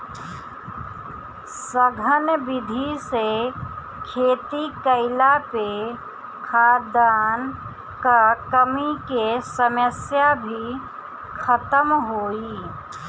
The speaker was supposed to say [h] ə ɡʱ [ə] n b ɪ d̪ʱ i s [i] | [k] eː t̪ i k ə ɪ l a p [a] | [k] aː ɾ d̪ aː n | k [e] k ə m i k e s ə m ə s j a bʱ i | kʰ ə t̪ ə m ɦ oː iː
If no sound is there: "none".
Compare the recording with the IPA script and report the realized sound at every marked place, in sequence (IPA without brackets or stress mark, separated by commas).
s, ə, e, kʰ, e, kʰ, a